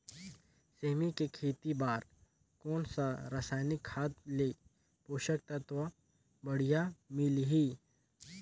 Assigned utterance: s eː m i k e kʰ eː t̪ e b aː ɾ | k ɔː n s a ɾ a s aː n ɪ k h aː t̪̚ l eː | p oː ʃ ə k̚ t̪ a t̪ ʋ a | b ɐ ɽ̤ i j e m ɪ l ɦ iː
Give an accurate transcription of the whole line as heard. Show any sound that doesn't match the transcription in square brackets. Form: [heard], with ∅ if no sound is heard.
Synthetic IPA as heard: s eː m i k e kʰ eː t̪ [i] b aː ɾ | k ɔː n s a ɾ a s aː n ɪ k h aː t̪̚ l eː | p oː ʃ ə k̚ t̪ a t̪ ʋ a | b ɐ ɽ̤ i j [a] m ɪ l ɦ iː